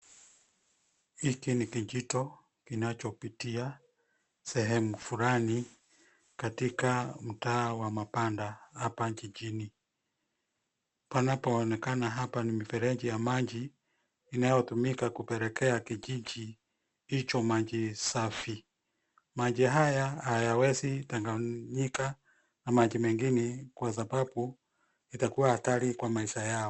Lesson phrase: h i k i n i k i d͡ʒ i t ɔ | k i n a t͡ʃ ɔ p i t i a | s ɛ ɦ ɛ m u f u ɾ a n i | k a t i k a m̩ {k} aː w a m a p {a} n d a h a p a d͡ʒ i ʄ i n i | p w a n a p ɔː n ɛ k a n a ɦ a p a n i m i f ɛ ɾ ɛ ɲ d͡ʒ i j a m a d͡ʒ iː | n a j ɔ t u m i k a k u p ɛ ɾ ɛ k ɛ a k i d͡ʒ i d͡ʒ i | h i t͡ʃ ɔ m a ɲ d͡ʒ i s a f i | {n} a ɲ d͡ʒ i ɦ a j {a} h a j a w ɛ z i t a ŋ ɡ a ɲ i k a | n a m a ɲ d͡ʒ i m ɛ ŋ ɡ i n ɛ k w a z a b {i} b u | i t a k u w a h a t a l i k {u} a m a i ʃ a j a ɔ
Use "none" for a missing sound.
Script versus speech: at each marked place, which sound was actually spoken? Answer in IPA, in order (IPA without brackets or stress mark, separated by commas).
t, a, m, a, a, w